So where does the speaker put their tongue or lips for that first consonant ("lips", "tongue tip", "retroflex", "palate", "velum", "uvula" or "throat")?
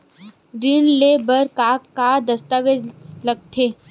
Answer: tongue tip